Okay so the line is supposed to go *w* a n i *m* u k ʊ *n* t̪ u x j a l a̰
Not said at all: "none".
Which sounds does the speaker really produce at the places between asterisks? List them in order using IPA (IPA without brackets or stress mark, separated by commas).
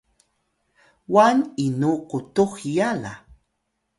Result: w, n, none